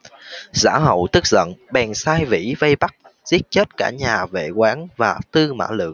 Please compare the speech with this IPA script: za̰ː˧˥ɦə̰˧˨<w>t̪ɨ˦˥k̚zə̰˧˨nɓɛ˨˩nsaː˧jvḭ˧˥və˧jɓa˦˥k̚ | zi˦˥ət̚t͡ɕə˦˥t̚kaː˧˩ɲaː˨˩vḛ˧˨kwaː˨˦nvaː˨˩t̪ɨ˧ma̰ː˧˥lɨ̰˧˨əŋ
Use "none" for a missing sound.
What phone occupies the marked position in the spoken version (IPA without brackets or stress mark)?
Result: w